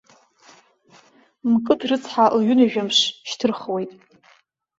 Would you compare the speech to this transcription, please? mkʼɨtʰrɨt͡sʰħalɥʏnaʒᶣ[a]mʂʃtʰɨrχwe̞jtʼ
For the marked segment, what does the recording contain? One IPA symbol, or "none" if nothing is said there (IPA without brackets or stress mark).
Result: a